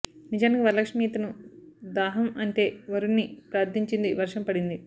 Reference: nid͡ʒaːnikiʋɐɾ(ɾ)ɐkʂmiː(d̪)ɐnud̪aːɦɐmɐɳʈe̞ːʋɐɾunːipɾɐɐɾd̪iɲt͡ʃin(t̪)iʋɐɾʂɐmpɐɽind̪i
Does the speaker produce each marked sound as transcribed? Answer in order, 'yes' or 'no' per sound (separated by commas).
no, no, no